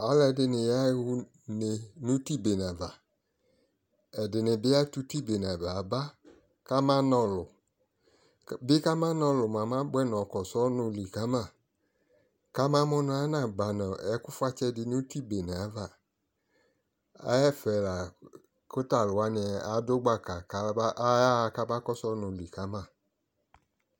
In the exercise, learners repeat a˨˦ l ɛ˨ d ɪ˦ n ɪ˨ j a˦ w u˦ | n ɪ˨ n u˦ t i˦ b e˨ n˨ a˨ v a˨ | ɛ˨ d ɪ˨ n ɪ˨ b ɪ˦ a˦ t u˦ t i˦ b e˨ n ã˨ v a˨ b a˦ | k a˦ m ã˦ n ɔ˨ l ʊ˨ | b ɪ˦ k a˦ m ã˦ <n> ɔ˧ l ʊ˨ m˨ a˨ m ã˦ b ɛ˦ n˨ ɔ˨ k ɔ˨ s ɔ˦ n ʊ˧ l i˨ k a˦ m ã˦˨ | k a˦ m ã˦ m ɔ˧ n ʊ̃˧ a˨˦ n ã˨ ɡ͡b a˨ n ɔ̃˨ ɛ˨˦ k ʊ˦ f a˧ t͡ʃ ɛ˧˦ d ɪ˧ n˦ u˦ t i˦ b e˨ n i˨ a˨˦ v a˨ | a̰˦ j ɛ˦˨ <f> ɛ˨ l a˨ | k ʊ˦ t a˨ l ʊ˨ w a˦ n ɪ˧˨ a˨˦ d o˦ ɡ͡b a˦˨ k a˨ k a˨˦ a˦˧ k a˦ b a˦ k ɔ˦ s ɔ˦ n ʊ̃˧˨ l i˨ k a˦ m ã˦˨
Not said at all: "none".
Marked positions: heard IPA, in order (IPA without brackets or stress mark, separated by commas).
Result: n, f